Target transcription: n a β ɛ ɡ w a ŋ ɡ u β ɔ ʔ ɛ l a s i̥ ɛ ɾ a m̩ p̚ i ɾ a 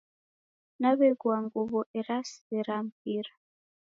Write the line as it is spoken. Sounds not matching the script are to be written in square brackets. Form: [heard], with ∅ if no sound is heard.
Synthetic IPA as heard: n a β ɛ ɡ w a ŋ ɡ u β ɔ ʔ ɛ [ɾ] a s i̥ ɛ ɾ a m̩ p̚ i ɾ a